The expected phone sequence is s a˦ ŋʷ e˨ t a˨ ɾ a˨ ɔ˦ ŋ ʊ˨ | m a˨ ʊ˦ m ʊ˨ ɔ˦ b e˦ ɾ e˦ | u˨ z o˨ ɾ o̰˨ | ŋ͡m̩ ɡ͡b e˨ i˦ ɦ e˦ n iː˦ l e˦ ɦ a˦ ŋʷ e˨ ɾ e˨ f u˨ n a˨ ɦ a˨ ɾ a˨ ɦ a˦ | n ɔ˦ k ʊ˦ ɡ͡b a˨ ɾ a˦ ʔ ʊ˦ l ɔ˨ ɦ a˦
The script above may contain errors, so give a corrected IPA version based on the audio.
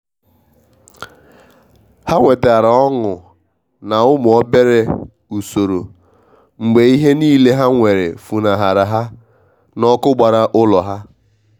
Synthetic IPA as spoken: h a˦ ŋʷ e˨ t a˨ ɾ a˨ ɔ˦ ŋ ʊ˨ | n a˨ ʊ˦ m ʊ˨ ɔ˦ b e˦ ɾ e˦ | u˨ s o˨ ɾ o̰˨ | ŋ͡m̩ ɡ͡b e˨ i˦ ɦ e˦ n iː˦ l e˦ ɦ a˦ ŋʷ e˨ ɾ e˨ f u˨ n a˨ ɦ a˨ ɾ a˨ ɦ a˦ | n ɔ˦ k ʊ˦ ɡ͡b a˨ ɾ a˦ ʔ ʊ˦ l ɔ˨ ɦ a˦